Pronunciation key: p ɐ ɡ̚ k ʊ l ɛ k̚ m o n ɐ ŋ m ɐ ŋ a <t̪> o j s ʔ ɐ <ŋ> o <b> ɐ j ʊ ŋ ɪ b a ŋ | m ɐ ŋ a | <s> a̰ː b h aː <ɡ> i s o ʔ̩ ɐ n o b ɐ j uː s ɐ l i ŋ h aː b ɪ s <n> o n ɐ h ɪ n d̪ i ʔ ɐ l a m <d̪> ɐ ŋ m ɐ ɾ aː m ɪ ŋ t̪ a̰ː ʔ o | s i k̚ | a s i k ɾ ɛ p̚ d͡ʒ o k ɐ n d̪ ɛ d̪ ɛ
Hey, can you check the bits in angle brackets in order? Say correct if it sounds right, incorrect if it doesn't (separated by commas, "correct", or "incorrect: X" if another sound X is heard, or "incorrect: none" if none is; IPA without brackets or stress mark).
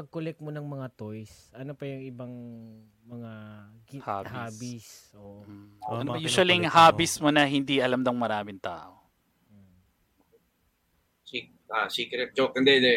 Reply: correct, incorrect: n, incorrect: p, incorrect: h, incorrect: b, incorrect: m, correct